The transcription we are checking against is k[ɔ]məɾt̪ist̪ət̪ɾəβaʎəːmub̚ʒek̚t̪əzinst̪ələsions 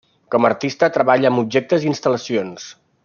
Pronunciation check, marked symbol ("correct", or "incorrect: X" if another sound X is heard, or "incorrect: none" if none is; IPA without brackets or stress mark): correct